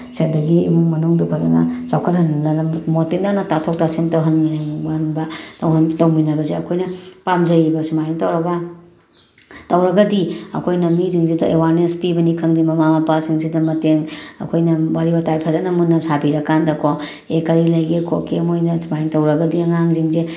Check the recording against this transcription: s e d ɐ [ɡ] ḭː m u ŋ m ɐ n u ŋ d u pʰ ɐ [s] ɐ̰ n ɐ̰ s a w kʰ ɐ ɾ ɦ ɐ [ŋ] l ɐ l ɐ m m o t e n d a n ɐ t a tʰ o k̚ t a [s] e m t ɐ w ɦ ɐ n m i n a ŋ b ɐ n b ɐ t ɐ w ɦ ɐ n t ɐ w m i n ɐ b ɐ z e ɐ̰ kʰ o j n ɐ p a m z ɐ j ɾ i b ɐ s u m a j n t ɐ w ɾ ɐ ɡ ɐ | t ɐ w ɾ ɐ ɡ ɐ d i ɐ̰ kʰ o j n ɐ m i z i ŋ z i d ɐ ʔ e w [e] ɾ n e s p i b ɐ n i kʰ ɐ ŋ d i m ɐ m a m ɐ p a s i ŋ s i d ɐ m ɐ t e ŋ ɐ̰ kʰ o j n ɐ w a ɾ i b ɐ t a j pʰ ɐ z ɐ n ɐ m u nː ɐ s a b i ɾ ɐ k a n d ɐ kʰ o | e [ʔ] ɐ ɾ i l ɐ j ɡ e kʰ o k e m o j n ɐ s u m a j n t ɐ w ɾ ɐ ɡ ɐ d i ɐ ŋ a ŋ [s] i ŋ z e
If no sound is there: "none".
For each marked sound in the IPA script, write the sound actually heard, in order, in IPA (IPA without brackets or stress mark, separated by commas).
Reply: ɡ, z, n, s, a, k, z